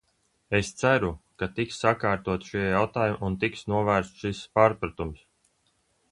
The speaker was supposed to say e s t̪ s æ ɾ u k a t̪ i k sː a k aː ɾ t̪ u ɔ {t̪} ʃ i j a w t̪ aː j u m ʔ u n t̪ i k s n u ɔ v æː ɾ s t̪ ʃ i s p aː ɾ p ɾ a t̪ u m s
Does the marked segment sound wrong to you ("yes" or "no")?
no